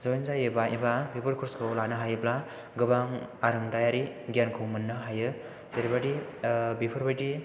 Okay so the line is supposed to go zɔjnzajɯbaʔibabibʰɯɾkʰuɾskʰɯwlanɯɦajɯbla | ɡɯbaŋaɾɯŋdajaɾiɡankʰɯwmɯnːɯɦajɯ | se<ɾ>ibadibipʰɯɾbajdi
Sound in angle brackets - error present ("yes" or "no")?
no